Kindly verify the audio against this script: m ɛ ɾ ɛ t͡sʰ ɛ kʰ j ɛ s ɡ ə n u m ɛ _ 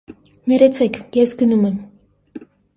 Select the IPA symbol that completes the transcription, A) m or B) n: A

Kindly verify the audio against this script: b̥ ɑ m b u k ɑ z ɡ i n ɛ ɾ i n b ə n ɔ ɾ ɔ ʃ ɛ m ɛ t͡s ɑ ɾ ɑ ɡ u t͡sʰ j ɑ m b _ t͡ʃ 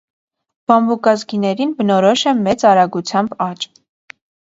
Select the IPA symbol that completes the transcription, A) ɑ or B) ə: A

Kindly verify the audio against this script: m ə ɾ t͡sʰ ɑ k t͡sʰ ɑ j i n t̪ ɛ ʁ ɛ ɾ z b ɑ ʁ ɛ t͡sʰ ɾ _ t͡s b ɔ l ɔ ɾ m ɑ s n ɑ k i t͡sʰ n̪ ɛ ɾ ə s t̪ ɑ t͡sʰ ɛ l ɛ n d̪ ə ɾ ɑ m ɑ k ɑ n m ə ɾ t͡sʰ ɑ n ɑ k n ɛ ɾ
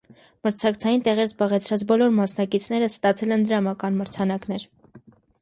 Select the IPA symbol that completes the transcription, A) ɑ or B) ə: A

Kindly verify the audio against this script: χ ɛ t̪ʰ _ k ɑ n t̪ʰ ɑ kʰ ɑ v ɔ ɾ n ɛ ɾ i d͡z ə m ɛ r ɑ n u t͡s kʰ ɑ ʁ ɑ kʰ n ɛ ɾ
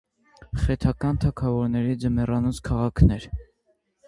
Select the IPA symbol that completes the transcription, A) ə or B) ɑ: B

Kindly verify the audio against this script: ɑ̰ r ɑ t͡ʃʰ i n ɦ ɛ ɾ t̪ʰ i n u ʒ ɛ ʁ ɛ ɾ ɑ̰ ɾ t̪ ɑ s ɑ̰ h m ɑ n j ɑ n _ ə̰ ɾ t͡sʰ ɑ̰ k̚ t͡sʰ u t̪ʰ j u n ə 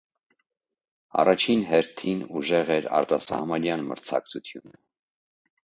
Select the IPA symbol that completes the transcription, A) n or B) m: B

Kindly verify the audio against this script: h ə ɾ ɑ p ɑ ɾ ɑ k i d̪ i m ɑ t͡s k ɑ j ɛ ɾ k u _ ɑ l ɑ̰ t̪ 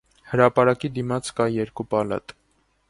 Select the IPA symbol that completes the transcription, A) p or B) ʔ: A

